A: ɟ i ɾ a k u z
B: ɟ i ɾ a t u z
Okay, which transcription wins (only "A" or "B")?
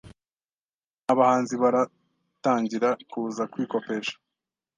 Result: A